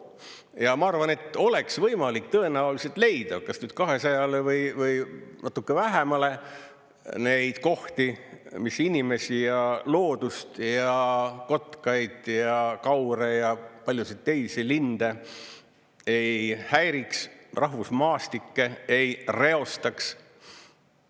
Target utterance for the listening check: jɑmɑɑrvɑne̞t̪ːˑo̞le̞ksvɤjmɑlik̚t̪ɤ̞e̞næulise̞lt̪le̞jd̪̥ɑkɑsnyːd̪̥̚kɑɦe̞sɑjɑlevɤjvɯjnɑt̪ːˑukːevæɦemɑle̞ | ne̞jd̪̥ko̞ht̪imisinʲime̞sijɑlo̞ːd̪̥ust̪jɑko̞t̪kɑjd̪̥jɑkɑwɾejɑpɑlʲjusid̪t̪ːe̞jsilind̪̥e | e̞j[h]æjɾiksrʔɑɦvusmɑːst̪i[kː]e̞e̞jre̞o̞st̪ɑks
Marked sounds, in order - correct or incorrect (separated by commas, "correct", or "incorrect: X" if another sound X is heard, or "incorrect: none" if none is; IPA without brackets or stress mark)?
correct, correct